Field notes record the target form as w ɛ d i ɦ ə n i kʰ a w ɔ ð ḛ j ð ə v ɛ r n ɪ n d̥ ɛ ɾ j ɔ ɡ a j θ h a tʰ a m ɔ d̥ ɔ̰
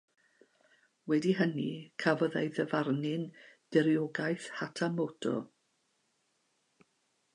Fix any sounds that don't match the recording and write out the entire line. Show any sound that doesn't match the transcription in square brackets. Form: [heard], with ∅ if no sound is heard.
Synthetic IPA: w ɛ d i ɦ ə n i kʰ a [v] ɔ ð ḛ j ð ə v [a] r n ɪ n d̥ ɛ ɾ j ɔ ɡ a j θ h a tʰ a m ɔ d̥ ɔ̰